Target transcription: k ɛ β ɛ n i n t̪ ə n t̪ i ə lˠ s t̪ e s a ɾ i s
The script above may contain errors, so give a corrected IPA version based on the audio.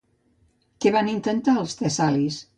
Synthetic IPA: k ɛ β a n i n t̪ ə n t̪ a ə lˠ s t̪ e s a l i s